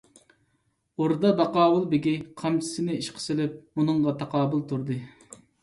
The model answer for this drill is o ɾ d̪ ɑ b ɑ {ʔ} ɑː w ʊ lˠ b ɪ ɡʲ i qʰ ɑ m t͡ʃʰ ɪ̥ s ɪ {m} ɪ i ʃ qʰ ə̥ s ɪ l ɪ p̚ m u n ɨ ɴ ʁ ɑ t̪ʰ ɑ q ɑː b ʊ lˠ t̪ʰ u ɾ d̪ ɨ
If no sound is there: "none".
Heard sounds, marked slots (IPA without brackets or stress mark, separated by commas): q, n